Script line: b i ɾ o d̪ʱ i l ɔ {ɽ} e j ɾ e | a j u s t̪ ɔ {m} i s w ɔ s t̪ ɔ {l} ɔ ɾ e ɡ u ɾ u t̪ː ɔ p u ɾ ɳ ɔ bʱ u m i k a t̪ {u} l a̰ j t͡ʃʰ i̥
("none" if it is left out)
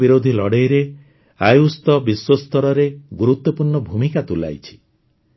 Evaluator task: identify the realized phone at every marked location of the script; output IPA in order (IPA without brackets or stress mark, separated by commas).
ɽ, b, ɾ, u